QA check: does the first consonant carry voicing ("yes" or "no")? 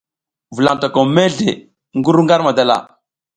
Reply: yes